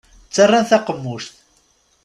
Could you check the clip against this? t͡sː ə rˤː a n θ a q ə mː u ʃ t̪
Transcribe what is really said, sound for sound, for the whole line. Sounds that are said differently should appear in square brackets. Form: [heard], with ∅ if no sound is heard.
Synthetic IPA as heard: t͡sː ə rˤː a n θ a q ə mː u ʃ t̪